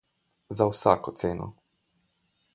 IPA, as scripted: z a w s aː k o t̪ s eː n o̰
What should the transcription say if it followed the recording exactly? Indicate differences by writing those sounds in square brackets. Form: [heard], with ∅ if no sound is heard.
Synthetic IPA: z a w s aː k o t̪ s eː n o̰